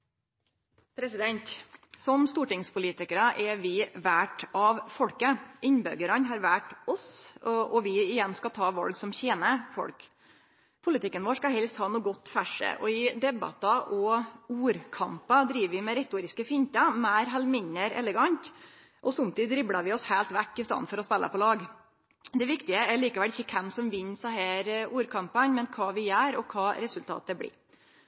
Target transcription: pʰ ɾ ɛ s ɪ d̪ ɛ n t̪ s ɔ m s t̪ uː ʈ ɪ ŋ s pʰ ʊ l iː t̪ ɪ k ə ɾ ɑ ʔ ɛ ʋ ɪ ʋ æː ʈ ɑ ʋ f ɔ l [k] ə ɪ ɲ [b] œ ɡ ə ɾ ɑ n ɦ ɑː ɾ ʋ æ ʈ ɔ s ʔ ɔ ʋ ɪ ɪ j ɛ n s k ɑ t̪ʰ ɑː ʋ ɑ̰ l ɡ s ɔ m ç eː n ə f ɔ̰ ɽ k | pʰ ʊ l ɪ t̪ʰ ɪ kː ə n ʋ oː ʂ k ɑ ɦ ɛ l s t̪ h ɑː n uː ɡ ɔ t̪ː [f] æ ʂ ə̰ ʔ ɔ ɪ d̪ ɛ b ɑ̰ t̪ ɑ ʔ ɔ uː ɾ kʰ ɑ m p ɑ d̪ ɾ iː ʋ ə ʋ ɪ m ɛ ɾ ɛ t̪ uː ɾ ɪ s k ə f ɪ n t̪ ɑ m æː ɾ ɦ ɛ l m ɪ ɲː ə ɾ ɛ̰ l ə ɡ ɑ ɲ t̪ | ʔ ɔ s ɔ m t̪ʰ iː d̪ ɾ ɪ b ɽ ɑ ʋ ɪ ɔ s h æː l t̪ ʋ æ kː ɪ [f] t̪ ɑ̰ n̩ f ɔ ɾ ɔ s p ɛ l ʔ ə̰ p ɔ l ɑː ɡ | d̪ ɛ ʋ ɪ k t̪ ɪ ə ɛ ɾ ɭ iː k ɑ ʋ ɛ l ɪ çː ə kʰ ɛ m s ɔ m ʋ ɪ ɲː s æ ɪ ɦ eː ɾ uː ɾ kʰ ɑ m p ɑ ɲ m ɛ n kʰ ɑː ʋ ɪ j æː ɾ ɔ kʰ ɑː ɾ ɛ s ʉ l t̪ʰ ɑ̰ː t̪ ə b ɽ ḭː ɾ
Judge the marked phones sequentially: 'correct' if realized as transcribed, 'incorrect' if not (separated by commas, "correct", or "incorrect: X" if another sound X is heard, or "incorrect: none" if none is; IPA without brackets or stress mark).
correct, correct, correct, incorrect: s